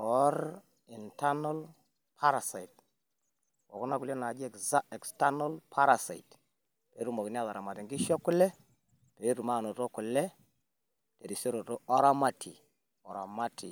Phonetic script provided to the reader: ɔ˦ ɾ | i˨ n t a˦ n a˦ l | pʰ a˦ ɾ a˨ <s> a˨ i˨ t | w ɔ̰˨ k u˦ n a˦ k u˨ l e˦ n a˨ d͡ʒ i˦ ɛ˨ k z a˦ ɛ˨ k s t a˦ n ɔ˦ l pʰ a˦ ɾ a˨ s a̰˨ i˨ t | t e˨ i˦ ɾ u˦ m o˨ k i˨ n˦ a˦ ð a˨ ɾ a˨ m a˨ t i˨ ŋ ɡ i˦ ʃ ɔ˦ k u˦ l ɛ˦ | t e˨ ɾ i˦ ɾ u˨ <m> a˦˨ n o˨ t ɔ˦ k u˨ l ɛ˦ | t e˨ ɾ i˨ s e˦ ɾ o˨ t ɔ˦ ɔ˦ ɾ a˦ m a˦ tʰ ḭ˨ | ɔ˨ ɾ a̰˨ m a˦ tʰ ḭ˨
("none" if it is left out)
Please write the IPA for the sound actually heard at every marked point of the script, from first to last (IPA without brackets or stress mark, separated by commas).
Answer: s, m